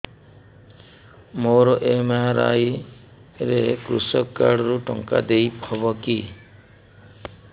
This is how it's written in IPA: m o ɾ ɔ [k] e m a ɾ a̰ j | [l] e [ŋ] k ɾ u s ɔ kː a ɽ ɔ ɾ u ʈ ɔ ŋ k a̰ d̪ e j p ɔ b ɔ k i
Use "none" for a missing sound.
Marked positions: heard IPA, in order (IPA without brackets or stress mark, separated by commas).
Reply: ʔ, ɾ, none